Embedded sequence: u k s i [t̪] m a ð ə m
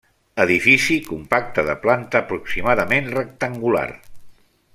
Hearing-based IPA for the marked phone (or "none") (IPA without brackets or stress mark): none